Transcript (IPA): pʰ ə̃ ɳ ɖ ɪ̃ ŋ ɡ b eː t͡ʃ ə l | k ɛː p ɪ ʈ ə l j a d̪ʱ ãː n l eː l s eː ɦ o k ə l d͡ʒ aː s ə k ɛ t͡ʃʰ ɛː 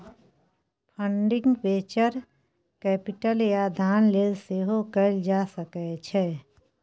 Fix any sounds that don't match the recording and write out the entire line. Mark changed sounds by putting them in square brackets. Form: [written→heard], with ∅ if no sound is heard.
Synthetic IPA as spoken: pʰ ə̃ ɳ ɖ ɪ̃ ŋ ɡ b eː t͡ʃ ə [l→ɾ] | k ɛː p ɪ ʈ ə l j a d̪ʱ [ãː→aː] n l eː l s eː ɦ o k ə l d͡ʒ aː s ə k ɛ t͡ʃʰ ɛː